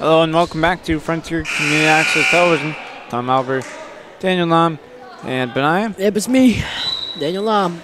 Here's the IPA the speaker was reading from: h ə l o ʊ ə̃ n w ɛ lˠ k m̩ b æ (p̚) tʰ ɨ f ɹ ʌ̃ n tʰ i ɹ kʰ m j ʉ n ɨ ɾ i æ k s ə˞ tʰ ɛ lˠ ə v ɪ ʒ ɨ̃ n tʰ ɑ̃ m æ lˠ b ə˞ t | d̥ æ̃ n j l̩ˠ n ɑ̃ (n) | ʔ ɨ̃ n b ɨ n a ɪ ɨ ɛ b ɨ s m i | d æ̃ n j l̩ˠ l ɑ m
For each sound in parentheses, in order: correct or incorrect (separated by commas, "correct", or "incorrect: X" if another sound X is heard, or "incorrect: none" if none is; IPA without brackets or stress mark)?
incorrect: k̚, incorrect: m